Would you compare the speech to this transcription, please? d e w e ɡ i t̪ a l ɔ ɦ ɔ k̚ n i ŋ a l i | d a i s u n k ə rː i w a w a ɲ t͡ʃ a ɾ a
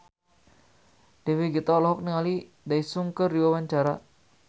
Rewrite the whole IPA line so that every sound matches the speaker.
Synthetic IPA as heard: d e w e ɡ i t̪ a l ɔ ɦ ɔ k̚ n i ŋ a l i | d a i s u ŋ k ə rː i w a w a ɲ t͡ʃ a ɾ a